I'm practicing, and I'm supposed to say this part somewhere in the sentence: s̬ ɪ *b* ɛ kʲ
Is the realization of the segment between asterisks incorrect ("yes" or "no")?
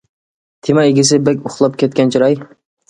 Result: no